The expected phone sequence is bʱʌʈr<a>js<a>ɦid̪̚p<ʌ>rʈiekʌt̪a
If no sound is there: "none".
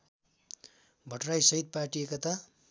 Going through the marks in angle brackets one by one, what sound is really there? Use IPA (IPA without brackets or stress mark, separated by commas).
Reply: a, ʌ, a